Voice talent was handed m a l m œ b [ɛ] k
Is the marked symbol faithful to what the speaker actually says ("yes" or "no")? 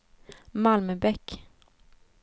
yes